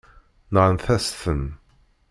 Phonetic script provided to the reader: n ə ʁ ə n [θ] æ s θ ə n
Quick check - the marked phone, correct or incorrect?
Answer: correct